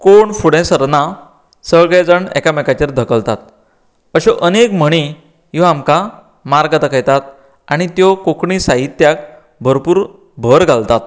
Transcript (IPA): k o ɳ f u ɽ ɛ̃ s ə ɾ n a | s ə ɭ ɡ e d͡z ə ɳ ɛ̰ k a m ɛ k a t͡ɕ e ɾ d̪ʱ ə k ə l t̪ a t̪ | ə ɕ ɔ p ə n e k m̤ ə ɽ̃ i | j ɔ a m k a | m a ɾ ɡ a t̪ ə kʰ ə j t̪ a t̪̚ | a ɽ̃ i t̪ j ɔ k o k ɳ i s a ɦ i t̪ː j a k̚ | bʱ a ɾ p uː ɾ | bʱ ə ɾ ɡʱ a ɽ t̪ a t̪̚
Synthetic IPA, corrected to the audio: k o ɳ f u ɽ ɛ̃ s ə ɾ n a | s ə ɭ ɡ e d͡z ə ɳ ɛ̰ k a m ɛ k a t͡ɕ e ɾ d̪ʱ ə k ə l t̪ a t̪ | ə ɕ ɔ ʔ ə n e k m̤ ə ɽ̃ i | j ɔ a m k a | m a ɾ ɡ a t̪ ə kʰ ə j t̪ a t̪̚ | a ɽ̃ i t̪ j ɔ k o k ɳ i s a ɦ i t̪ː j a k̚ | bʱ ə ɾ p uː ɾ | bʱ ə ɾ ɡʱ a l t̪ a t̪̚